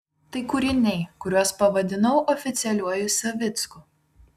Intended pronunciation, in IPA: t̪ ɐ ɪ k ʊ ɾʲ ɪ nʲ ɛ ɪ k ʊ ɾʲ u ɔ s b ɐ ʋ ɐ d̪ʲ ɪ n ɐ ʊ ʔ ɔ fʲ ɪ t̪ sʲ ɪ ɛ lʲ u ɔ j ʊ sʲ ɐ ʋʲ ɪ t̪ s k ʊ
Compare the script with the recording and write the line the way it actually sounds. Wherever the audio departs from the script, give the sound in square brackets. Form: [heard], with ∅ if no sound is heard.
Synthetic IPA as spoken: t̪ ɐ ɪ k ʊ ɾʲ ɪ nʲ ɛ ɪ k ʊ ɾʲ u ɔ s [p] ɐ ʋ ɐ d̪ʲ ɪ n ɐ ʊ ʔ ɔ fʲ ɪ t̪ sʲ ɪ ɛ lʲ u ɔ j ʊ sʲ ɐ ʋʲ ɪ t̪ s k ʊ